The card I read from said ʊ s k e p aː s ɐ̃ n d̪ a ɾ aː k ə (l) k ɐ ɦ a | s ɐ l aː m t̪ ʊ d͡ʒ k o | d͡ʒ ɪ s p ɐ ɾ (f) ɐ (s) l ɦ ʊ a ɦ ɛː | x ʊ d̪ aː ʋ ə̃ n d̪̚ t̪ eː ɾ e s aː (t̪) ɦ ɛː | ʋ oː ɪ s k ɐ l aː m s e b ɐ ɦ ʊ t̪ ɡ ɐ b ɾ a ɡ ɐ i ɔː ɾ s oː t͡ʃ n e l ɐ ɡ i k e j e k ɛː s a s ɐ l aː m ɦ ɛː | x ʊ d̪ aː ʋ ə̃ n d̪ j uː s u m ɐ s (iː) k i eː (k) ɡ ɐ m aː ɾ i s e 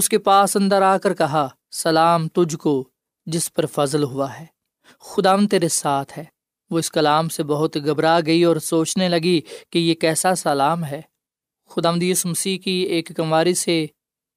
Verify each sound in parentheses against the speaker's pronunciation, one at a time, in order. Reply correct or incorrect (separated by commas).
incorrect, correct, incorrect, incorrect, correct, correct